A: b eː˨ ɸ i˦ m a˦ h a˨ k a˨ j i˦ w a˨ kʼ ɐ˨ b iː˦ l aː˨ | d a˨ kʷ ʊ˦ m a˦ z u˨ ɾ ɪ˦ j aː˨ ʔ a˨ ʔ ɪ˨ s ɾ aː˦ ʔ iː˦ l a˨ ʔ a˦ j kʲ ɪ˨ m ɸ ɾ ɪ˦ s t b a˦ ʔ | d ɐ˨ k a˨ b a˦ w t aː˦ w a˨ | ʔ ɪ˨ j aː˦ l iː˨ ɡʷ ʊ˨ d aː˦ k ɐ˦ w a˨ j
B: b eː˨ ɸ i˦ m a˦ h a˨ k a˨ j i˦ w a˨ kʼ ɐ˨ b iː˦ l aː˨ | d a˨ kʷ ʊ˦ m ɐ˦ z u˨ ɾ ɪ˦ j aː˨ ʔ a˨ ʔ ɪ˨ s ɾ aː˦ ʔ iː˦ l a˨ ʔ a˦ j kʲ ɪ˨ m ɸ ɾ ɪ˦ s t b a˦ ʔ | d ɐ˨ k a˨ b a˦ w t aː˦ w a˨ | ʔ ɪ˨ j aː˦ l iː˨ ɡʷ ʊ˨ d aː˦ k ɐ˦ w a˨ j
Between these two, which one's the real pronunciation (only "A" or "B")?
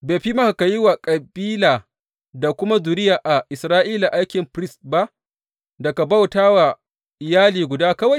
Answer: A